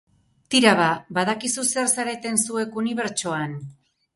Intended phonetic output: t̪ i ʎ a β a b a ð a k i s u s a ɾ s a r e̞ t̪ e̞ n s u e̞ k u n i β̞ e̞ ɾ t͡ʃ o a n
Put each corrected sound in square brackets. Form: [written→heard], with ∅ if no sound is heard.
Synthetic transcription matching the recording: t̪ i [ʎ→ɾ] a β a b a ð a k i s u s [a→e] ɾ s a [r→ɾ] e̞ t̪ e̞ n s u e̞ k u n i β̞ e̞ ɾ t͡ʃ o a n

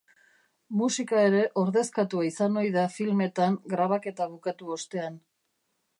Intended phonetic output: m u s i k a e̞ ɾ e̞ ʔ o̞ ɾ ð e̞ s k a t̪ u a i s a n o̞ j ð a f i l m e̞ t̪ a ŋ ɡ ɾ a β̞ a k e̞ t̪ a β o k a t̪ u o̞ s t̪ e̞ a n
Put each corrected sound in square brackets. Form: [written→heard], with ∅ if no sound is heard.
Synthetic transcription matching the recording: m u s i k a e̞ ɾ e̞ ʔ o̞ ɾ ð e̞ s k a t̪ u a i s a n o̞ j ð a f i l m e̞ t̪ a ŋ ɡ ɾ a β̞ a k e̞ t̪ a β [o→u] k a t̪ u o̞ s t̪ e̞ a n

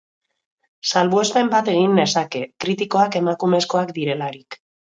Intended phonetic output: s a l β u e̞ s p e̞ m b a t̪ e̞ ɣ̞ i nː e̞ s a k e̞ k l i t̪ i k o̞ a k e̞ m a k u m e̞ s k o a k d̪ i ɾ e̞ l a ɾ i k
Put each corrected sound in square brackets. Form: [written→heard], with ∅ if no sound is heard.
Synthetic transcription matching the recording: s a l β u e̞ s p e̞ m b a t̪ e̞ ɣ̞ i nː e̞ s a k e̞ k [l→ɾ] i t̪ i k o̞ a k e̞ m a k u m e̞ s k o a k d̪ i ɾ e̞ l a ɾ i k

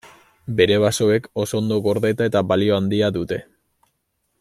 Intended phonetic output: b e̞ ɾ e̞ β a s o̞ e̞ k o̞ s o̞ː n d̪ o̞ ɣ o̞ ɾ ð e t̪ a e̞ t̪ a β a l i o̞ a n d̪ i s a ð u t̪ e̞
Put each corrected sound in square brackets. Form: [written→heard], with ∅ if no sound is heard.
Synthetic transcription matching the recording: b e̞ ɾ e̞ β a s o̞ e̞ k o̞ s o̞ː n d̪ o̞ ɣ o̞ ɾ ð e t̪ a e̞ t̪ a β a l i o̞ a n d̪ i [s→∅] a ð u t̪ e̞

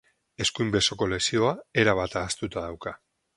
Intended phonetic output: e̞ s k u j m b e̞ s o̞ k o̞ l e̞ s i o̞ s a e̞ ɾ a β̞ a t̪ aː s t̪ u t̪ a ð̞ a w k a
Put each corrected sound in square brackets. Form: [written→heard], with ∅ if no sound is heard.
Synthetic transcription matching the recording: e̞ s k u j m b e̞ s o̞ k o̞ l e̞ s i o̞ [s→∅] a e̞ ɾ a β̞ a t̪ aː s t̪ u t̪ a ð̞ a w k a

